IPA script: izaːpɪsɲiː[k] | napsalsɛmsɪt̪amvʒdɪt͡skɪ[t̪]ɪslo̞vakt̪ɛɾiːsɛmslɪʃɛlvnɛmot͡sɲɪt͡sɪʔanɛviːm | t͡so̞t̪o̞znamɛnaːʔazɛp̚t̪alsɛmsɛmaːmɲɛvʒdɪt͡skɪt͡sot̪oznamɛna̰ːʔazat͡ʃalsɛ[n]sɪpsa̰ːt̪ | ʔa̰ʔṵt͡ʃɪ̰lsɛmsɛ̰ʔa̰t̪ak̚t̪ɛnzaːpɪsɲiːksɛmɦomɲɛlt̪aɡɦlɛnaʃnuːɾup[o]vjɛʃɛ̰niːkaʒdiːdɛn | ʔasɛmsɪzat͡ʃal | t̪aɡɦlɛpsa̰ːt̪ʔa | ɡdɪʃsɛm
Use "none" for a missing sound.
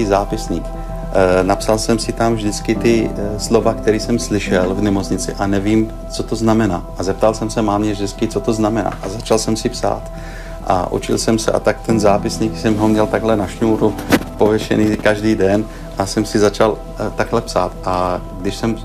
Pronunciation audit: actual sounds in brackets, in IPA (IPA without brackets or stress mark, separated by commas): k, t̪, m, o